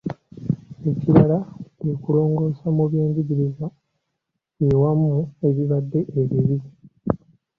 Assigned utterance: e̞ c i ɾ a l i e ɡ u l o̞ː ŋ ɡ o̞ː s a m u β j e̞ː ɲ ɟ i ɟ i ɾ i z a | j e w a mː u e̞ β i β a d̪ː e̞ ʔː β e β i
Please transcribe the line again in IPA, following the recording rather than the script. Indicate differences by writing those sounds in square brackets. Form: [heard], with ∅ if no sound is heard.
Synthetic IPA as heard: e̞ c i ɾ a l [a] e [k] u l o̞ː ŋ ɡ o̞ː s a m u β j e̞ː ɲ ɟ i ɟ i ɾ i z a | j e w a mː u e̞ β i β a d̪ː e̞ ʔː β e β i